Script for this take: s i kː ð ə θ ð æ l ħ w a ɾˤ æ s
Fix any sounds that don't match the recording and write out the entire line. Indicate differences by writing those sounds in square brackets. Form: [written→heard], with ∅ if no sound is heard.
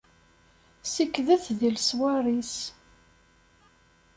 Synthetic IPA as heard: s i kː ð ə θ ð [æ→i] l [ħ→s] w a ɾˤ [æ→i] s